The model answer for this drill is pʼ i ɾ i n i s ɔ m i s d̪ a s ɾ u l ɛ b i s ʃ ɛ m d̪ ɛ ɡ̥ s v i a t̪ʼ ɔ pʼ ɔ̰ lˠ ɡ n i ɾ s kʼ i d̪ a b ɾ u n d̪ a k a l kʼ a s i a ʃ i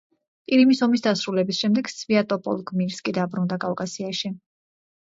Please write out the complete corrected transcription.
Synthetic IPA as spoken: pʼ i ɾ i m i s ɔ m i s d̪ a s ɾ u l ɛ b i s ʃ ɛ m d̪ ɛ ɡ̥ s v i a t̪ʼ ɔ pʼ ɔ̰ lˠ ɡ m i ɾ s kʼ i d̪ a b ɾ u n d̪ a kʼ a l kʼ a s i a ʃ i